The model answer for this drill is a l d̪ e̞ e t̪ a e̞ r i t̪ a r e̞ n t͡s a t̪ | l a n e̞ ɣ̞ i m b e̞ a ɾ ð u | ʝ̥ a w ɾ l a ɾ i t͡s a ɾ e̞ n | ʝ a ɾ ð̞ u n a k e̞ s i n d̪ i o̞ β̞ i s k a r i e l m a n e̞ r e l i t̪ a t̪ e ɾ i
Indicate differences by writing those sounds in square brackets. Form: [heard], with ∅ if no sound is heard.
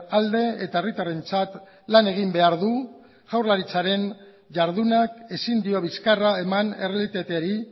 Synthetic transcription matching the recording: a l d̪ e̞ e t̪ a e̞ r i t̪ a r e̞ n t͡s a t̪ | l a n e̞ ɣ̞ i m b e̞ a ɾ ð u | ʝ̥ a w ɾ l a ɾ i t͡s a ɾ e̞ n | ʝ a ɾ ð̞ u n a k e̞ s i n d̪ i o̞ β̞ i s k a r [a] e [∅] m a n e̞ r e l i t̪ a t̪ e ɾ i